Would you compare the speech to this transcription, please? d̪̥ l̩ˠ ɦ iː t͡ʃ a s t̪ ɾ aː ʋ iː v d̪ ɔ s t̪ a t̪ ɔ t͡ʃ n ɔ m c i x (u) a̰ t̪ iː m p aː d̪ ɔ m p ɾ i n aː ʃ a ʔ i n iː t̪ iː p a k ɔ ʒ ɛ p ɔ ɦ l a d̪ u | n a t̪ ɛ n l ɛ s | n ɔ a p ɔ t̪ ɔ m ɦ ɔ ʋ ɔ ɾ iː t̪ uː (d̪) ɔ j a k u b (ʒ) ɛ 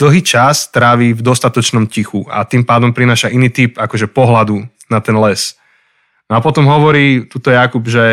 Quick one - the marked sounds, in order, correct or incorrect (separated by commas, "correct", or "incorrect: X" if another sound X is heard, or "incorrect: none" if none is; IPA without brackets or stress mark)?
correct, incorrect: t̪, correct